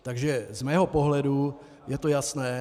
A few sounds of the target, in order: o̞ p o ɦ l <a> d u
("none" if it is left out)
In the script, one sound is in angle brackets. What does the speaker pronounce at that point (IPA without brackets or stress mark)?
ɛ